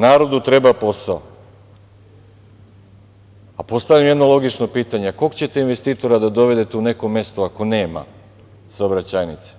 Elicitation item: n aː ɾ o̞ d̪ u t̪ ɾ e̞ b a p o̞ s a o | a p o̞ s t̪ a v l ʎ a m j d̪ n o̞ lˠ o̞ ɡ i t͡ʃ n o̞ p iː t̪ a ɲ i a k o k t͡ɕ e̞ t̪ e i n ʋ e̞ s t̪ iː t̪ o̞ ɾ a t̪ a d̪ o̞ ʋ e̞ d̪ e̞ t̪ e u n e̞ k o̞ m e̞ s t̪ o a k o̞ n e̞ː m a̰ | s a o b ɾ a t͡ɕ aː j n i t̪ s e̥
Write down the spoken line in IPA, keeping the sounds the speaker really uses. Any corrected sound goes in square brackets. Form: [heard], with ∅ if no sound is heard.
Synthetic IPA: n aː ɾ o̞ d̪ u t̪ ɾ e̞ b a p o̞ s a o | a p o̞ s t̪ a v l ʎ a m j d̪ n o̞ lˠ o̞ ɡ i t͡ʃ n o̞ p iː t̪ a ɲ [e] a k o k t͡ɕ e̞ t̪ e i n ʋ e̞ s t̪ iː t̪ o̞ ɾ a [d̪] a d̪ o̞ ʋ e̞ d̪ e̞ t̪ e u n e̞ k o̞ m e̞ s t̪ o a k o̞ n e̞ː m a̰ | s a o b ɾ a t͡ɕ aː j n i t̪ s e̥